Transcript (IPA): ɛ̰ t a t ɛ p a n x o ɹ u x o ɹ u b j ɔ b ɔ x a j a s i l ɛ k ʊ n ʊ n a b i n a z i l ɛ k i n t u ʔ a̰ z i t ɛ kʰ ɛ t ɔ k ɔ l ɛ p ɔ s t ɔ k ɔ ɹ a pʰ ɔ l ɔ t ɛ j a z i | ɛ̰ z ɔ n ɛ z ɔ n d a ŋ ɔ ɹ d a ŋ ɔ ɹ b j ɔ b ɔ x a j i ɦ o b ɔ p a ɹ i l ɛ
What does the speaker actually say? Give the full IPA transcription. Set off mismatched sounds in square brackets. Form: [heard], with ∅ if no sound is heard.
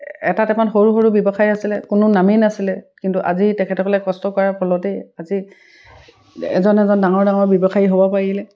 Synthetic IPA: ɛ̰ t a t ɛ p a n x o ɹ u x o ɹ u b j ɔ b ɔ x a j a s i l ɛ k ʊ n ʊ n a [m] i n a [s] i l ɛ k i n t u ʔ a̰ z i t ɛ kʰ ɛ t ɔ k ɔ l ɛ [k] ɔ s t ɔ k ɔ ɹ a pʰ ɔ l ɔ t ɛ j a z i | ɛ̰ z ɔ n ɛ z ɔ n d a ŋ ɔ ɹ d a ŋ ɔ ɹ b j ɔ b ɔ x a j i ɦ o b ɔ p a ɹ i l ɛ